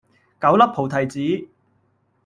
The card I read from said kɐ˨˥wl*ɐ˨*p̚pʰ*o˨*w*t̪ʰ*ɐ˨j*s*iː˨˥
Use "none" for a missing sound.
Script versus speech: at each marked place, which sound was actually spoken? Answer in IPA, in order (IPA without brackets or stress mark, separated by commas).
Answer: ɐ˥, o˨, t̪ʰ, t͡s